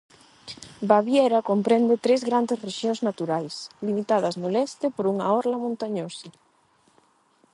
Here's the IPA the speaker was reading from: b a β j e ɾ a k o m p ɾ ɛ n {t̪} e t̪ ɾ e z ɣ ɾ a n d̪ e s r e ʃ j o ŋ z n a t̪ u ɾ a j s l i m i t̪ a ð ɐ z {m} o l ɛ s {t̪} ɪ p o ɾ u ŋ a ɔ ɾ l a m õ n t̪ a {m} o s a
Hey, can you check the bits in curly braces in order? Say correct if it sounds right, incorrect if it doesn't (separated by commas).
incorrect, incorrect, correct, incorrect